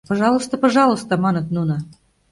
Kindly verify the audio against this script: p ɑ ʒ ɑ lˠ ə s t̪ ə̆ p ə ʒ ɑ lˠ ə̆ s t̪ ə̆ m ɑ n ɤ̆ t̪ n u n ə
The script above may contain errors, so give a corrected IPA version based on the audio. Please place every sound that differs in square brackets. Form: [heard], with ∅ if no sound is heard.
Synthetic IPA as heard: p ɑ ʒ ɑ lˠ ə s t̪ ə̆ p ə ʒ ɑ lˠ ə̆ s t̪ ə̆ m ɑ n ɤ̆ t̪ n u n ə